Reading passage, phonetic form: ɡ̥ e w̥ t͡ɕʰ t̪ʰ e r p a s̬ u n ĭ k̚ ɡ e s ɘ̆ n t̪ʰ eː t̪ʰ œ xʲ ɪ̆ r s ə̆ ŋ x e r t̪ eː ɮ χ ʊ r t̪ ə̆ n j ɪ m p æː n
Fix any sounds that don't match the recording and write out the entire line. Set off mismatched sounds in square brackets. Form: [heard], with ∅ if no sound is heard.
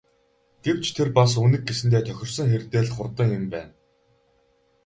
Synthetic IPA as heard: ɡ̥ e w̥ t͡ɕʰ t̪ʰ e r p a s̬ u n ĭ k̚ ɡ e s ɘ̆ n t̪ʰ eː t̪ʰ œ xʲ ɪ̆ r s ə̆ ŋ x e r t̪ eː ɮ χ ʊ r t̪ ə̆ [ŋ] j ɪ m p æː n